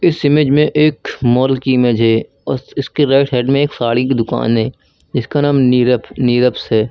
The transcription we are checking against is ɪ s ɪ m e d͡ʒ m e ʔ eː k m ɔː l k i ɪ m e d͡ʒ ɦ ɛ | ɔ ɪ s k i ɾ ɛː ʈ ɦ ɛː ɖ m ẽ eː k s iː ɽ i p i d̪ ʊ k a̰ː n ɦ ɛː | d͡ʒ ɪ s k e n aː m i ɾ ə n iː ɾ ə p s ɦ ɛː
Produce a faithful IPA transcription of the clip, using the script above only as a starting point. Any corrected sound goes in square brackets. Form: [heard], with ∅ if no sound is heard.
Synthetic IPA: ɪ s ɪ m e d͡ʒ m [ẽ] ʔ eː k m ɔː l k i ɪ m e d͡ʒ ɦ ɛ | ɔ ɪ s k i ɾ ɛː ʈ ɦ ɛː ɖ m ẽ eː k s [aː] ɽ i [k] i d̪ ʊ k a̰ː n ɦ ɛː | d͡ʒ ɪ s k [a] n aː m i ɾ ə n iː ɾ ə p s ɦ ɛː